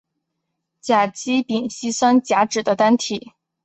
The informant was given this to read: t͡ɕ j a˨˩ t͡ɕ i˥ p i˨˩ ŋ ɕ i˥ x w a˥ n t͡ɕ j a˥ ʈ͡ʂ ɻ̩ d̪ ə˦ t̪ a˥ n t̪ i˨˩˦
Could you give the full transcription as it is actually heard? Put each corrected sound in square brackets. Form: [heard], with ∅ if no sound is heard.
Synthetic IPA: t͡ɕ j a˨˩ t͡ɕ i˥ p i˨˩ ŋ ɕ i˥ [s] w a˥ n t͡ɕ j [a˧˥] ʈ͡ʂ ɻ̩ d̪ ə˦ t̪ a˥ n [t̪ʰ] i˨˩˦